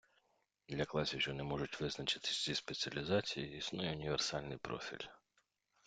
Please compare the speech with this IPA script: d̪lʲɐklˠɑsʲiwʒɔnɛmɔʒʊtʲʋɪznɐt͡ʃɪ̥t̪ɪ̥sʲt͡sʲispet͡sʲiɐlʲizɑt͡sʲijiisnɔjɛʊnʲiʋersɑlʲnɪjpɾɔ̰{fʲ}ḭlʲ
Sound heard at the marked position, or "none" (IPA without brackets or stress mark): fʲ